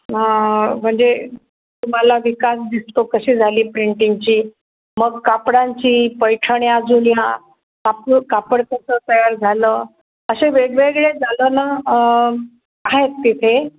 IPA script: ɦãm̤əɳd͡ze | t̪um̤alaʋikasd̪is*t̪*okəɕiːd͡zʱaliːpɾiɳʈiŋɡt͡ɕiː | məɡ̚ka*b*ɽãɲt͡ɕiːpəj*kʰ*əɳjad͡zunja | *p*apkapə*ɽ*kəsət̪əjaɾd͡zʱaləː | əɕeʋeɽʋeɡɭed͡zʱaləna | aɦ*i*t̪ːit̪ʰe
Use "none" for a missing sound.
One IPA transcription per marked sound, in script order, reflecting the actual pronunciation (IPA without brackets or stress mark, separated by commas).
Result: t̪, p, ʈʰ, k, ɽ, e